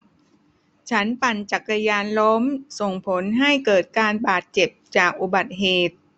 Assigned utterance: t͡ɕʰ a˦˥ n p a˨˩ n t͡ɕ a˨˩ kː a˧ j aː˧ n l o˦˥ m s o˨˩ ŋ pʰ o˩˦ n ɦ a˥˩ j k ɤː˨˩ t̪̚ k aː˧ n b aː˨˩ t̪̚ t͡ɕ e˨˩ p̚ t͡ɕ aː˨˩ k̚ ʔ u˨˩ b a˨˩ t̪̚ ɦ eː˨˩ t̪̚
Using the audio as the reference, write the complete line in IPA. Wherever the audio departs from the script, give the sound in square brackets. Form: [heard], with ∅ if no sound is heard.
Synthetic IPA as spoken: t͡ɕʰ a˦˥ n p a˨˩ n t͡ɕ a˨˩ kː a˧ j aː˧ n l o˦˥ m s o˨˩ ŋ pʰ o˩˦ n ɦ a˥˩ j k ɤː˨˩ t̪̚ k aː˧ n b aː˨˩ t̪̚ t͡ɕ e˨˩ p̚ t͡ɕ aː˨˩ k̚ ʔ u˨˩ b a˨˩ t̪̚ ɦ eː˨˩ t̪̚